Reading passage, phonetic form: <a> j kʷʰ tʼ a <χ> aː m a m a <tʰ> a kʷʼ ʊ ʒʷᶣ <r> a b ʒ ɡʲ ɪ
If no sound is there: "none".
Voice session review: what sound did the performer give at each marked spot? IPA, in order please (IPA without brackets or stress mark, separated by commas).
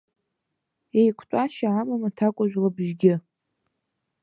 e, ʃ, tʰ, l